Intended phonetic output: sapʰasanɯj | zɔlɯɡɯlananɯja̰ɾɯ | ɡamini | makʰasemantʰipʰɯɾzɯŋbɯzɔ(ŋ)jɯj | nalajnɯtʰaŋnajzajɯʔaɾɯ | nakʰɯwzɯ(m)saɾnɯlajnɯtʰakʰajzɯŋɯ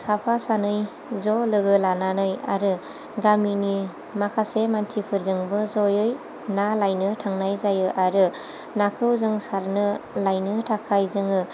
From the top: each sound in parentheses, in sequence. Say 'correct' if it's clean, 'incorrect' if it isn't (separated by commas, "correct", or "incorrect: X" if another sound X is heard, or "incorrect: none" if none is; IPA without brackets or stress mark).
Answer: incorrect: none, incorrect: ŋ